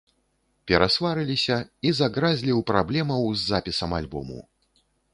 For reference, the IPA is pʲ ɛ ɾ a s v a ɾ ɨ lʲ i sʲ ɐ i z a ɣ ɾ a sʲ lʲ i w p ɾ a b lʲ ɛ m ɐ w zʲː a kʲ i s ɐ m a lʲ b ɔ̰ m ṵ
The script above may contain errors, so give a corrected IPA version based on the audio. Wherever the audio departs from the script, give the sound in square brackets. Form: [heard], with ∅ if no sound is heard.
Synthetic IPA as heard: pʲ ɛ ɾ a s v a ɾ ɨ lʲ i sʲ ɐ i z a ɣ ɾ a [zʲ] lʲ i w p ɾ a b lʲ ɛ m ɐ w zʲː a [pʲ] i s ɐ m a lʲ b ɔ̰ m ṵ

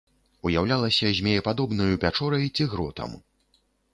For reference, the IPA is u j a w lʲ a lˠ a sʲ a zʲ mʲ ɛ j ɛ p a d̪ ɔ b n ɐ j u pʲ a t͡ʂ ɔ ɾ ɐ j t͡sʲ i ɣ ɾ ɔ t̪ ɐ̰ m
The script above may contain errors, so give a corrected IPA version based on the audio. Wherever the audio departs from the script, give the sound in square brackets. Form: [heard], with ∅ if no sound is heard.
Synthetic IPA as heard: u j a w lʲ a lˠ [ɐ] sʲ [ɐ] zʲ mʲ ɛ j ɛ p a d̪ ɔ b n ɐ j u pʲ a t͡ʂ ɔ ɾ ɐ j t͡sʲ i ɣ ɾ ɔ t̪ ɐ̰ m

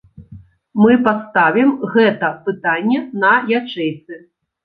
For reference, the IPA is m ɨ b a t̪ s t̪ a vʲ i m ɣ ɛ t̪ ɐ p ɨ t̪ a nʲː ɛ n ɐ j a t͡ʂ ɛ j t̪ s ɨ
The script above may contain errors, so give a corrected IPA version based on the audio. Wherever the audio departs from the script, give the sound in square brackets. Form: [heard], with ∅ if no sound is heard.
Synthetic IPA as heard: m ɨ [p] a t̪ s t̪ a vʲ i m ɣ ɛ t̪ ɐ p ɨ t̪ a nʲː ɛ n ɐ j a t͡ʂ ɛ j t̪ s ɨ

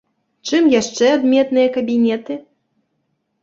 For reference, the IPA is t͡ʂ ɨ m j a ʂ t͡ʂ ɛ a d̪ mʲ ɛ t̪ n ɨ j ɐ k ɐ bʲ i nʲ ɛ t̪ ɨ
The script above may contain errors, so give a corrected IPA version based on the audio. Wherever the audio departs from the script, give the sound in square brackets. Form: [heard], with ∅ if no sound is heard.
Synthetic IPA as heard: t͡ʂ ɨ m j a ʂ t͡ʂ ɛ a d̪ mʲ ɛ t̪ n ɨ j ɐ k ɐ bʲ i nʲ ɛ t̪ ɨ

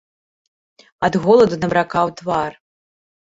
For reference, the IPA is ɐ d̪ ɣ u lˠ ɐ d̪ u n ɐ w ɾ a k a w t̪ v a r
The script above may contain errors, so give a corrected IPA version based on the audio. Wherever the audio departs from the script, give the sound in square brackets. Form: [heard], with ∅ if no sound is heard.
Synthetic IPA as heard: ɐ d̪ ɣ [ɔ] lˠ ɐ d̪ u n ɐ [b] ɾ a k a w t̪ v a r

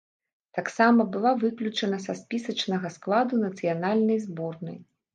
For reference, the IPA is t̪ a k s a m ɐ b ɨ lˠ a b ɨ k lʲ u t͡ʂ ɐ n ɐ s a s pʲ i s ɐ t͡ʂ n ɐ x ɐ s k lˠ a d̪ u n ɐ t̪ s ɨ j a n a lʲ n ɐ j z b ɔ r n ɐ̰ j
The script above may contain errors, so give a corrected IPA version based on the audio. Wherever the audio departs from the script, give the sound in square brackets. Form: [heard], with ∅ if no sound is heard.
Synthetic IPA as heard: t̪ a k s a m ɐ b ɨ lˠ a [v] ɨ k lʲ u t͡ʂ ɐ n ɐ s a s pʲ i s ɐ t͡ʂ n ɐ [ɣ] ɐ s k lˠ a d̪ u n ɐ t̪ s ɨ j a n a lʲ n ɐ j z b ɔ r n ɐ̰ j

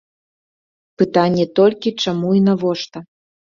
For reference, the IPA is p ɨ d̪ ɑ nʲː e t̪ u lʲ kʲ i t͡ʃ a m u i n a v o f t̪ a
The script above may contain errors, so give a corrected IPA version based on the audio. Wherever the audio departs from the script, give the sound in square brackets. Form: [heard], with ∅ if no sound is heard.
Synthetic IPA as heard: p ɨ [t̪] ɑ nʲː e t̪ [o] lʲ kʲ i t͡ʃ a m u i n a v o [ʃ] t̪ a

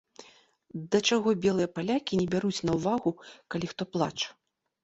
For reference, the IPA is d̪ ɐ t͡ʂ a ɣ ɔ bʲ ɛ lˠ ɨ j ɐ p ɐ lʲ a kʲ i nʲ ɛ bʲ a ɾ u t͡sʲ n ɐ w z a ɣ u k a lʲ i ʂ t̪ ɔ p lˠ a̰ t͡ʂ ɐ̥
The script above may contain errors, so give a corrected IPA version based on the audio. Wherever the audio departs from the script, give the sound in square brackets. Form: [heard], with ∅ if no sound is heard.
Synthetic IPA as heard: d̪ ɐ t͡ʂ a ɣ ɔ bʲ ɛ lˠ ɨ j ɐ p [a] lʲ a kʲ i nʲ ɛ bʲ a ɾ u t͡sʲ n ɐ w [v] a ɣ u k a lʲ i [x] t̪ ɔ p lˠ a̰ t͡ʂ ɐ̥

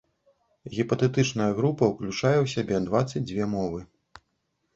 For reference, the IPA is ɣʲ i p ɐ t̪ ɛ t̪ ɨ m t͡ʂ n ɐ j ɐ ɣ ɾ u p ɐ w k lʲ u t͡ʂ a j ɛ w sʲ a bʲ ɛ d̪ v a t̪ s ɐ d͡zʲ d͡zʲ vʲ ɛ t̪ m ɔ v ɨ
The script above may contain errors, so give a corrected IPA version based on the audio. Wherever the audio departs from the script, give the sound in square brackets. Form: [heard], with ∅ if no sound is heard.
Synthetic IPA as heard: ɣʲ i p ɐ t̪ ɛ t̪ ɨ [∅] t͡ʂ n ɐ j ɐ ɣ ɾ u p ɐ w k lʲ u t͡ʂ a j ɛ w sʲ a bʲ ɛ d̪ v a t̪ s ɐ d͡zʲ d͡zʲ vʲ ɛ [∅] m ɔ v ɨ

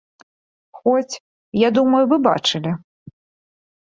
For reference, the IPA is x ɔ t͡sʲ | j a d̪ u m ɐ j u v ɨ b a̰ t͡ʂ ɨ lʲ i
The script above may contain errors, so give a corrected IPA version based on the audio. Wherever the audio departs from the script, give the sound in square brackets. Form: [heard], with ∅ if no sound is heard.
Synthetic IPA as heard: x ɔ t͡sʲ | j a d̪ u m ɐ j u v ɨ b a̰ t͡ʂ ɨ lʲ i

